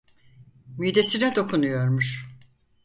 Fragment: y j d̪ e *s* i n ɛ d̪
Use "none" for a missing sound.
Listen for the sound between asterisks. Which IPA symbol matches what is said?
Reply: s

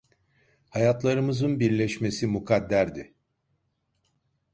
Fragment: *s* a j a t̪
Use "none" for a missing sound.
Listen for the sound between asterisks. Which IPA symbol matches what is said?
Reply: h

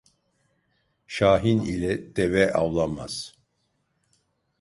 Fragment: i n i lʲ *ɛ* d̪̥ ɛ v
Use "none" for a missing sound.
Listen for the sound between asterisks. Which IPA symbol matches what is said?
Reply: ɛ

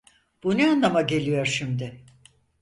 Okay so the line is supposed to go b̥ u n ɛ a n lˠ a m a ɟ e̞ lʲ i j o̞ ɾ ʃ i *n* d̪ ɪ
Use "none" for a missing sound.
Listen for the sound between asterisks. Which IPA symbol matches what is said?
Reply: m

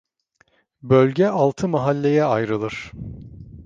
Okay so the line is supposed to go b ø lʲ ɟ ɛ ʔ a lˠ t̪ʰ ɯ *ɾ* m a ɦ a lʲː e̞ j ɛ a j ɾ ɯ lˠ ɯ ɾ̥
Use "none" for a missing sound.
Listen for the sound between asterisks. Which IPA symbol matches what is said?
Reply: none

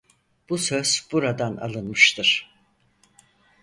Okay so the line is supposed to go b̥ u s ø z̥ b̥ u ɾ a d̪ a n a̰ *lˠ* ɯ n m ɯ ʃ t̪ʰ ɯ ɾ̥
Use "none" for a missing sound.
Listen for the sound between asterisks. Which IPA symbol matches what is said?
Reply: lˠ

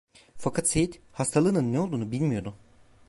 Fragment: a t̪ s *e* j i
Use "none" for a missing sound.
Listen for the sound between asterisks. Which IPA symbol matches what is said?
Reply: e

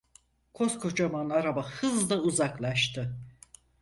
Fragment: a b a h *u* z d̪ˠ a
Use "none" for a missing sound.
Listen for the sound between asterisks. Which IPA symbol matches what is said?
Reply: ɯ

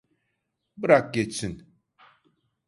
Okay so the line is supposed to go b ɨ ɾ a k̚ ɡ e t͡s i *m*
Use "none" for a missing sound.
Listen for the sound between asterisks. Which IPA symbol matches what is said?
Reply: n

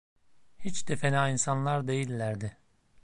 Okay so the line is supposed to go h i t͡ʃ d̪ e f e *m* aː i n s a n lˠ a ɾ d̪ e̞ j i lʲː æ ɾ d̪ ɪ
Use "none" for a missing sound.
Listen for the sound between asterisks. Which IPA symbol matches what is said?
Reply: n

